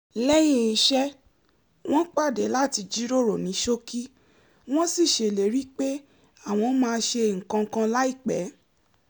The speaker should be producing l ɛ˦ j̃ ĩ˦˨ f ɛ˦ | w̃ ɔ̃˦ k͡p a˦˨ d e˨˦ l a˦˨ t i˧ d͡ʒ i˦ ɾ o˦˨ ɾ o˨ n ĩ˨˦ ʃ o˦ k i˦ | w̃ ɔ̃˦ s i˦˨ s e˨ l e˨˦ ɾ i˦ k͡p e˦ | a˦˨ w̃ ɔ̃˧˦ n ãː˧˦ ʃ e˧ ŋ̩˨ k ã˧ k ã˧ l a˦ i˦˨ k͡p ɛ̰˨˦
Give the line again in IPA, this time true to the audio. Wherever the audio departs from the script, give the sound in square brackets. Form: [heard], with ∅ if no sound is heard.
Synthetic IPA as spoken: l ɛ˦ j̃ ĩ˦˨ [ʃ] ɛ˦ | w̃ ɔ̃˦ k͡p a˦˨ d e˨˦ l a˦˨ t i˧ d͡ʒ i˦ ɾ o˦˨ ɾ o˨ n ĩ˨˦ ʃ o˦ k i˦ | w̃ ɔ̃˦ s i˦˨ [ʃ] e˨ l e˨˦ ɾ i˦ k͡p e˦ | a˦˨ w̃ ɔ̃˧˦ [m] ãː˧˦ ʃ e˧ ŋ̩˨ k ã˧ k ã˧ l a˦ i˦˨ k͡p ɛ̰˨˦